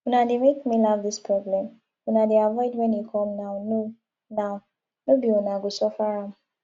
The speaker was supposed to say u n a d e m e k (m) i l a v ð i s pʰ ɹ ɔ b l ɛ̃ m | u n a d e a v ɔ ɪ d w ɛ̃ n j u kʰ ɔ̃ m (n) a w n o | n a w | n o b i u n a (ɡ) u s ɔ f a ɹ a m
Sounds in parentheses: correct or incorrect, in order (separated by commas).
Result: correct, correct, correct